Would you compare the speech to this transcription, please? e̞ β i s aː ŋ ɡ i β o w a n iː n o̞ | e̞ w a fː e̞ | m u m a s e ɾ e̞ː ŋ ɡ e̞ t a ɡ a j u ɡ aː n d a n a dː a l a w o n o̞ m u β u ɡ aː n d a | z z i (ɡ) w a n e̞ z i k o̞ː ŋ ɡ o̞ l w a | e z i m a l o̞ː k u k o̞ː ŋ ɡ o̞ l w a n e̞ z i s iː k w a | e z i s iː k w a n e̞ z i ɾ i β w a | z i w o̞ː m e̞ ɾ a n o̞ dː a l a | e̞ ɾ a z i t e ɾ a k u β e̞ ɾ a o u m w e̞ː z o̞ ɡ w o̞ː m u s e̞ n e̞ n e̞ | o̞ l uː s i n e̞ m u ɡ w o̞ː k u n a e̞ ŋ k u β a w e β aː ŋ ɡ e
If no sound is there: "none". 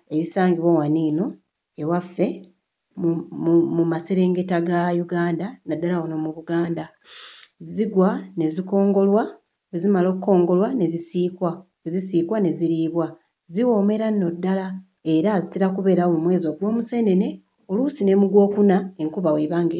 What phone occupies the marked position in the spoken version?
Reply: ɡ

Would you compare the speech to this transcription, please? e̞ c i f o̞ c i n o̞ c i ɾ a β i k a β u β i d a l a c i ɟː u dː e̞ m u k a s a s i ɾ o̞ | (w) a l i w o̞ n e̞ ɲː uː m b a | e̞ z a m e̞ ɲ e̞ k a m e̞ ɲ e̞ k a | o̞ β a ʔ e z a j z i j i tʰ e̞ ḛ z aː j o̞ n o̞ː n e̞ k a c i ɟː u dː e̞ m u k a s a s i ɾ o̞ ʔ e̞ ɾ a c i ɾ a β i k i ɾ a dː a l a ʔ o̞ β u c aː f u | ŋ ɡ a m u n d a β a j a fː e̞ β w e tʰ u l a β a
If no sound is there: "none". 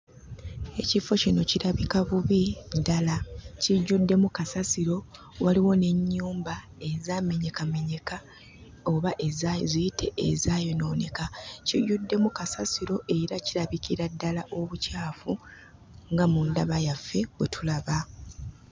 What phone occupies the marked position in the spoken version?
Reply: w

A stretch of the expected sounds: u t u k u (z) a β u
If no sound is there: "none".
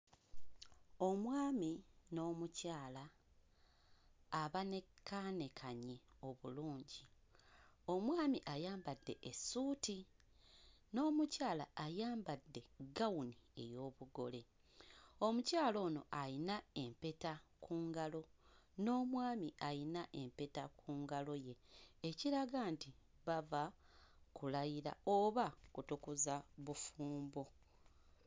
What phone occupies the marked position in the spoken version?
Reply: z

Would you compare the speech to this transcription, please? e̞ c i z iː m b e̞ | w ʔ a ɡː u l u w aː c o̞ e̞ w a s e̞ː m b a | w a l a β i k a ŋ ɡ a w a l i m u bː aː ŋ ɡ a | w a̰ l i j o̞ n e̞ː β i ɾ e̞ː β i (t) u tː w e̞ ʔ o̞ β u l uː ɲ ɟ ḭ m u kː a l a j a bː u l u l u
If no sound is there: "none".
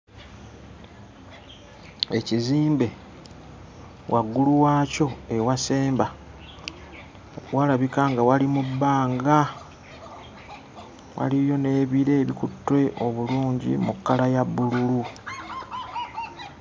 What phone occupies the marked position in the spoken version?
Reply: k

